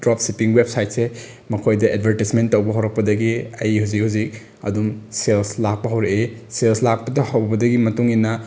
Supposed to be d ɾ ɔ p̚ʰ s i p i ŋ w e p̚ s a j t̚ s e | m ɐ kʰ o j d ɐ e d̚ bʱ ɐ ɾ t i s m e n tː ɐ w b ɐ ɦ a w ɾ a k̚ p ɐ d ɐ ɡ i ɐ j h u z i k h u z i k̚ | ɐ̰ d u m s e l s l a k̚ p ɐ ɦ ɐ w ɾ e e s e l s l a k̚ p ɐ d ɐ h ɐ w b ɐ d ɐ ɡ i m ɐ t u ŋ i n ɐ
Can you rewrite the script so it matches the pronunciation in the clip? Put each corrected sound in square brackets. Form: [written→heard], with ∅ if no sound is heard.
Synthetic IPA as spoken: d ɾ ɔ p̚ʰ s i p i ŋ w e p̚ s a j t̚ s e | m ɐ kʰ o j d ɐ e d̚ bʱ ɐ ɾ t i s m e n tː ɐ w b ɐ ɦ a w ɾ [a→ɐ] k̚ p ɐ d ɐ ɡ i ɐ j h u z i k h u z i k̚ | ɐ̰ d u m s e l s l a k̚ p ɐ ɦ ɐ w ɾ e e s e l s l a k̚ p ɐ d ɐ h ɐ w b ɐ d ɐ ɡ i m ɐ t u ŋ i n ɐ

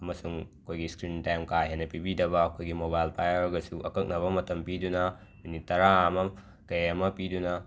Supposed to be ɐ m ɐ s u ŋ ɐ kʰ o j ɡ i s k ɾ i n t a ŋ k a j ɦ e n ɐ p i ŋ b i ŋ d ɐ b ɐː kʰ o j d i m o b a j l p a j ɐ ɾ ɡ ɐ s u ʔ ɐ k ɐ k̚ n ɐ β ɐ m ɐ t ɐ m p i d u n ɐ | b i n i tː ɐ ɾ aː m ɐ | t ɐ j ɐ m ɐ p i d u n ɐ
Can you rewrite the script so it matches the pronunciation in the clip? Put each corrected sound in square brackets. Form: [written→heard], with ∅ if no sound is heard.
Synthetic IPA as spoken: ɐ m ɐ s u ŋ ɐ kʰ o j ɡ i s k ɾ i n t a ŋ k a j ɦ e n ɐ p i [ŋ→∅] b i [ŋ→∅] d ɐ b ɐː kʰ o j [d→ɡ] i m o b a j l p a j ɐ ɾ ɡ ɐ s u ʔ ɐ k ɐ k̚ n ɐ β ɐ m ɐ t ɐ m p i d u n ɐ | [b→m] i n i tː ɐ ɾ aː m ɐ | [t→k] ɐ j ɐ m ɐ p i d u n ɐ

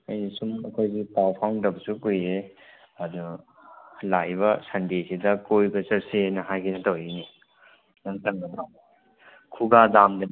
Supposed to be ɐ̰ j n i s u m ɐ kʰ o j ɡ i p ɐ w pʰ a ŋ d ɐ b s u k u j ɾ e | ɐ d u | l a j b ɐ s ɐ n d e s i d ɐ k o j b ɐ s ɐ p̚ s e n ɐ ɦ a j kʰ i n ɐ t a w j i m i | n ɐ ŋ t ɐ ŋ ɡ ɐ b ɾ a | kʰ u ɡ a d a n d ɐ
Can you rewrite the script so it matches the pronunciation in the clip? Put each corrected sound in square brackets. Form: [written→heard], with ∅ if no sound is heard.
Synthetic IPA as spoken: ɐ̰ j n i s u m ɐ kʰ o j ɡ i p [ɐ→a] w pʰ a ŋ d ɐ b s u k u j ɾ e | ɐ d u | l a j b ɐ s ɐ n d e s i d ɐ k o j b ɐ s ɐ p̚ s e n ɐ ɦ a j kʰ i n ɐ t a w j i [m→n] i | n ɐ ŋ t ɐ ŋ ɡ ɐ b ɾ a | kʰ u ɡ a d a [n→m] d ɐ

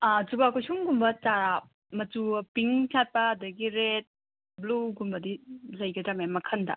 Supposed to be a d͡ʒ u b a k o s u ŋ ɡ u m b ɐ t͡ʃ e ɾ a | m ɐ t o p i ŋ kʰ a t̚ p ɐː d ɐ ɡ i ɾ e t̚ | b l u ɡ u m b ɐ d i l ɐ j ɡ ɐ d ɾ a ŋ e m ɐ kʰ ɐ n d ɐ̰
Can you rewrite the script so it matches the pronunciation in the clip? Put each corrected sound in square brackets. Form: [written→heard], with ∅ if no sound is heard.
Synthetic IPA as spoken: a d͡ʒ u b a k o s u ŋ ɡ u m b ɐ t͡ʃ [e→a] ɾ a | m ɐ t [o→u] p i ŋ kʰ a t̚ p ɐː d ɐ ɡ i ɾ e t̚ | b l u ɡ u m b ɐ d i l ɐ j ɡ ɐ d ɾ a [ŋ→m] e m ɐ kʰ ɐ n d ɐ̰

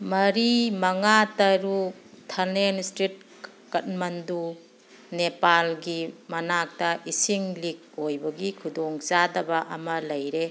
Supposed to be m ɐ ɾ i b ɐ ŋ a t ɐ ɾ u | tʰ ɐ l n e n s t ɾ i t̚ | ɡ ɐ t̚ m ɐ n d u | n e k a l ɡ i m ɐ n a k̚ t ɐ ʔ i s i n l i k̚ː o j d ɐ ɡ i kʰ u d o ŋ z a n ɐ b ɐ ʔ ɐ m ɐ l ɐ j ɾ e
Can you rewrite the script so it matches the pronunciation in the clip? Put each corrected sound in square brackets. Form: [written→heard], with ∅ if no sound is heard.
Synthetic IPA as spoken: m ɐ ɾ i [b→m] ɐ ŋ a t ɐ ɾ u | tʰ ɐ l n e n s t ɾ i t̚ | [ɡ→k] ɐ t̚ m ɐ n d u | n e [k→p] a l ɡ i m ɐ n a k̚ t ɐ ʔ i s i [n→ŋ] l i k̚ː o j [d→b] ɐ ɡ i kʰ u d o ŋ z a [n→d] ɐ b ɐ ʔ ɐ m ɐ l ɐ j ɾ e

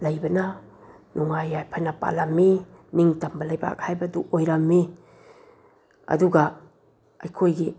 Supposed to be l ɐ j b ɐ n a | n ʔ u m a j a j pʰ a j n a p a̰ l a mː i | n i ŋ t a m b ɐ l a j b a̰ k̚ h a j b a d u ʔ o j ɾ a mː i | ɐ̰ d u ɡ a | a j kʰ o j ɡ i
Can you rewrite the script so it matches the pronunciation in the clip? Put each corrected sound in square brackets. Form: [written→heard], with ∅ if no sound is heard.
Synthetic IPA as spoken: l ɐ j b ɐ n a | n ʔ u [m→ŋ] a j a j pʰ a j n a p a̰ l a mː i | n i ŋ t a m b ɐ l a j b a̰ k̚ h a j b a d u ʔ o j ɾ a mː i | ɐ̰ d u ɡ a | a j kʰ o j ɡ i

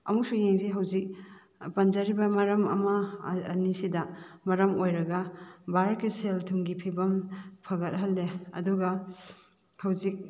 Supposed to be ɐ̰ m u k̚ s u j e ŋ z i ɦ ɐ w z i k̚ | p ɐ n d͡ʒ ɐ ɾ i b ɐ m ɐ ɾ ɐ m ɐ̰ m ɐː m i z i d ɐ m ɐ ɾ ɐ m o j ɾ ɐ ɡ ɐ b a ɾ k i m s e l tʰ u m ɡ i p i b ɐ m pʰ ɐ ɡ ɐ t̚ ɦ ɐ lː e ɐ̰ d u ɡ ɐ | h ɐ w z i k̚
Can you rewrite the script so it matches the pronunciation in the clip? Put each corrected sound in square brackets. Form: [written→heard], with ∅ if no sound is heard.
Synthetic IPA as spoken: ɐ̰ m u k̚ s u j e ŋ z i ɦ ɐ w z i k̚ | p ɐ n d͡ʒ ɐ ɾ i b ɐ m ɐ ɾ ɐ m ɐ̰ m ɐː [m→n] i [z→s] i d ɐ m ɐ ɾ ɐ m o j ɾ ɐ ɡ ɐ b a ɾ k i [m→∅] s e l tʰ u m ɡ i [p→pʰ] i b ɐ m pʰ ɐ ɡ ɐ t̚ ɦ ɐ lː e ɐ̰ d u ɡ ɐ | h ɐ w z i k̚

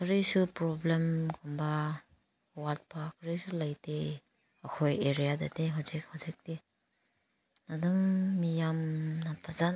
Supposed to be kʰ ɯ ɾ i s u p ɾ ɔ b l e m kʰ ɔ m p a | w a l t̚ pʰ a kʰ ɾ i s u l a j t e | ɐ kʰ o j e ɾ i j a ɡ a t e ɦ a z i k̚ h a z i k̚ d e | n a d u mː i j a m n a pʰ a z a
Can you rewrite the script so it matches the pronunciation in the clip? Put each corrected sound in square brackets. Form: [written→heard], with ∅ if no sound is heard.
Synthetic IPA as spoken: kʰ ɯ ɾ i s u p ɾ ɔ b l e m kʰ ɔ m [p→b] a | w a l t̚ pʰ a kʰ ɾ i s u l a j t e | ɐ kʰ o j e ɾ i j a [ɡ→d] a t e ɦ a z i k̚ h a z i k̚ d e | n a d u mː i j a m n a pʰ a z a

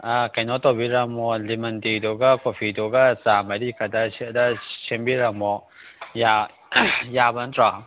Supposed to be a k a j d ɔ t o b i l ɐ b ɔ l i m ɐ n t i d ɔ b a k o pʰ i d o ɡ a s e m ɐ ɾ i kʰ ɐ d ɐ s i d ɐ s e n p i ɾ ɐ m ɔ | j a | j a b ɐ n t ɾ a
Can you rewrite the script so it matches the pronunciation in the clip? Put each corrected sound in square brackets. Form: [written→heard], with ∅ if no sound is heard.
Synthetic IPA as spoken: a k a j [d→n] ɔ t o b i [l→ɾ] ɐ [b→m] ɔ l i m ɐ n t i d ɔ [b→ɡ] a k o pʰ i d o ɡ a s [e→a] m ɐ ɾ i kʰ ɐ d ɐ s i d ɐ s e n [p→b] i ɾ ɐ m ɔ | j a | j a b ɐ n t ɾ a

